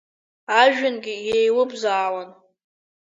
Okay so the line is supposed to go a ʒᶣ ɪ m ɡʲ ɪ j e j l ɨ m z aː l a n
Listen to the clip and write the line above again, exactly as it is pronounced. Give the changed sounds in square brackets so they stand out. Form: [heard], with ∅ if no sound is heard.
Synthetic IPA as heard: a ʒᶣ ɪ [n] ɡʲ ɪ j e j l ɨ [b] z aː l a n